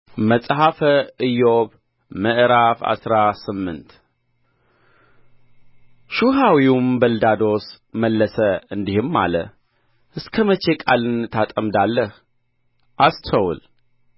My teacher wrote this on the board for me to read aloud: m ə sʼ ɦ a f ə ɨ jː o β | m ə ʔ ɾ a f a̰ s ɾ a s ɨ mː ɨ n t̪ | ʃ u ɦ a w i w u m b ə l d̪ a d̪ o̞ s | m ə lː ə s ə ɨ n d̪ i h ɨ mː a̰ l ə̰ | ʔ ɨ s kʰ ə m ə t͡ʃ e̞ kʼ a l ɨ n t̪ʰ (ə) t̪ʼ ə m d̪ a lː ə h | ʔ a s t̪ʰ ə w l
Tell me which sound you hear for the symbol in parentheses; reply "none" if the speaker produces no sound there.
a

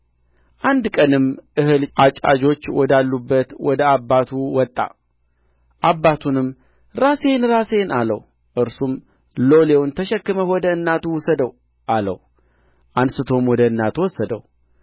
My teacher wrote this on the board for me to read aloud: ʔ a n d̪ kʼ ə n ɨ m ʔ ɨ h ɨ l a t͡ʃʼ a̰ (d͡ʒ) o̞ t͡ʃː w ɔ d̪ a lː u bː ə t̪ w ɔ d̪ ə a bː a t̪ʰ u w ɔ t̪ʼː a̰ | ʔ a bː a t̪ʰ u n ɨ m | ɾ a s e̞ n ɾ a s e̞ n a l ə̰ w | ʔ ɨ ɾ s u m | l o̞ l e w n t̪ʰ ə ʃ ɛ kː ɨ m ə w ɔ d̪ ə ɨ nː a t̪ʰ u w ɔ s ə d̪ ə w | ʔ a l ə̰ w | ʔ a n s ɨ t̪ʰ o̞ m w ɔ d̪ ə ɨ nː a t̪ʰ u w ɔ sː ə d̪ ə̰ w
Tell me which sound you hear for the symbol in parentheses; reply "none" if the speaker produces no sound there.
d͡ʒ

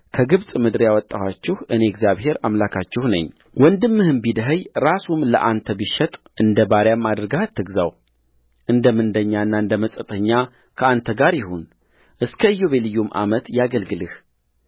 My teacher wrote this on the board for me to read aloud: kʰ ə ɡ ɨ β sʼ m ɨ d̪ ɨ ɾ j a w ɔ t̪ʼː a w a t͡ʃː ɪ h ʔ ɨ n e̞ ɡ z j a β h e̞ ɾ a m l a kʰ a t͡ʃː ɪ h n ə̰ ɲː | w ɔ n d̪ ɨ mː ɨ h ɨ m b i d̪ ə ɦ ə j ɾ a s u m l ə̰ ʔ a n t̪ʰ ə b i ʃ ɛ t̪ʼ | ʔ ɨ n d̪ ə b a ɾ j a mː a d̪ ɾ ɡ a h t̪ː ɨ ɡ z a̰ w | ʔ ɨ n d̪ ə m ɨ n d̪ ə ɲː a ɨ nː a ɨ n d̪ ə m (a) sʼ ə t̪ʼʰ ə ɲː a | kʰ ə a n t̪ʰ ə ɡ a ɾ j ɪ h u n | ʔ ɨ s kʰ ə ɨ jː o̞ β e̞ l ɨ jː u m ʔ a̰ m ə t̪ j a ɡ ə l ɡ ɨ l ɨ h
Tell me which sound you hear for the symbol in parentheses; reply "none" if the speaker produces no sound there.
ə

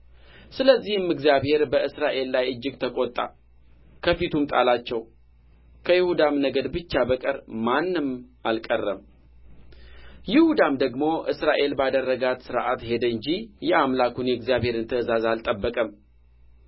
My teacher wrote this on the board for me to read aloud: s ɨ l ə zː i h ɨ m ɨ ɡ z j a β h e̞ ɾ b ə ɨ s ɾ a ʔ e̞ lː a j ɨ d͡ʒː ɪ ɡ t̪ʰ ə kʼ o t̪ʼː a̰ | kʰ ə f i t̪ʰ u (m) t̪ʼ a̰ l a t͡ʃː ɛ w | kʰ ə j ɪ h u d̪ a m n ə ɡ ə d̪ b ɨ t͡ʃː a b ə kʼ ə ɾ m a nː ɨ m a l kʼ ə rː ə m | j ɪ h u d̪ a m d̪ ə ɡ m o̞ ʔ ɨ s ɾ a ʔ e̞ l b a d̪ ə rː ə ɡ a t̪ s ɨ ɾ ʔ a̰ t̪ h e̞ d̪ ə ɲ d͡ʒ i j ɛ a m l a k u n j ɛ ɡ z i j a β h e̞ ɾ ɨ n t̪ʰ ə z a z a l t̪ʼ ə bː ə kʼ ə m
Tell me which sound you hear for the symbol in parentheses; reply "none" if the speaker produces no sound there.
m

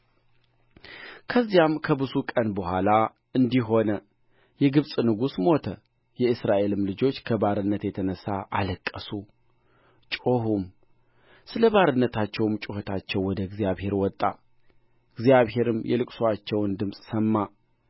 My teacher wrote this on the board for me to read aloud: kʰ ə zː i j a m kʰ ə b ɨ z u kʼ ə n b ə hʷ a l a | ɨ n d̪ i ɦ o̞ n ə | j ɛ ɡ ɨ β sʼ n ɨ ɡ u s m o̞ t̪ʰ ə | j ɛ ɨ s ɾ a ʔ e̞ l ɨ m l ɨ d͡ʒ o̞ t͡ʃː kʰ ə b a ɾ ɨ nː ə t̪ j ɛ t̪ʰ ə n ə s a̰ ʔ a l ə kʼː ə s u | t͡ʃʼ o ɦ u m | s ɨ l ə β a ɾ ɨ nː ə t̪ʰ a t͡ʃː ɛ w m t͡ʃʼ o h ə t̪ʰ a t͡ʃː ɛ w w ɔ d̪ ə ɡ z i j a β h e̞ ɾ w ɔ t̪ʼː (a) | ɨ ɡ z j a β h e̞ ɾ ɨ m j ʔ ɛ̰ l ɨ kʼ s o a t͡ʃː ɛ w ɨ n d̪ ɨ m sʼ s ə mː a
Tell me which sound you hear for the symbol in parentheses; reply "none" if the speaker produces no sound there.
a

